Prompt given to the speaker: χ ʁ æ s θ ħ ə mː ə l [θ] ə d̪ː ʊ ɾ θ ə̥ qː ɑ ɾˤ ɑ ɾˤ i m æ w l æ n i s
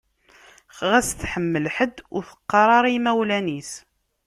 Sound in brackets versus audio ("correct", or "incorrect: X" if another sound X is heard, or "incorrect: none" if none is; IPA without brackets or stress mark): incorrect: ħ